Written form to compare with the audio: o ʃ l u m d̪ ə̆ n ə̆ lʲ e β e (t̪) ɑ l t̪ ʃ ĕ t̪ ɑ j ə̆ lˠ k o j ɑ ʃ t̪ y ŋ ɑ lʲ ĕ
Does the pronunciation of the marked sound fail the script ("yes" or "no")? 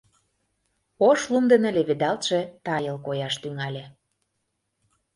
yes